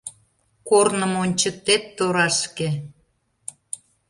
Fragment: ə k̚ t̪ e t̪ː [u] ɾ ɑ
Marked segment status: incorrect: o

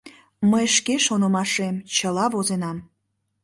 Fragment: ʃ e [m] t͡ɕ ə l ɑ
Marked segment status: correct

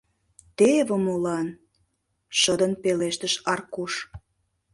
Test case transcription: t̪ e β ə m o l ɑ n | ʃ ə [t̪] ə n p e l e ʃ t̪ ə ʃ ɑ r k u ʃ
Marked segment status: incorrect: d̪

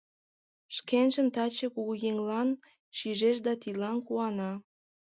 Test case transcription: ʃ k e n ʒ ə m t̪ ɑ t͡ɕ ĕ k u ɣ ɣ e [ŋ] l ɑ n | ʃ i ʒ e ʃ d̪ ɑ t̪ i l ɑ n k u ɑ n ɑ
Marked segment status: correct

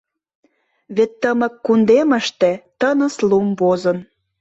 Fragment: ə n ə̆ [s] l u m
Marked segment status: correct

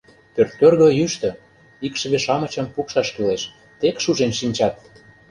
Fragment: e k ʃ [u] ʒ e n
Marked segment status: correct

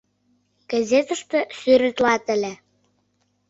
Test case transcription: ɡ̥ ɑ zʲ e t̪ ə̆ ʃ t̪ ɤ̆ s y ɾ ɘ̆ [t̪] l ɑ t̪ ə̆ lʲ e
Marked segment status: correct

